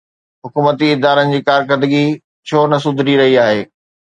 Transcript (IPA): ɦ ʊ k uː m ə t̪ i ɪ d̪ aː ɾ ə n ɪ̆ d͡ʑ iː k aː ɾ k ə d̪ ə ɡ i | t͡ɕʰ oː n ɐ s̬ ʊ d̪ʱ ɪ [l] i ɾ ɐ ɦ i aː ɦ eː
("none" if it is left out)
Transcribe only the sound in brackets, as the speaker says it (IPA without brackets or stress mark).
ɾ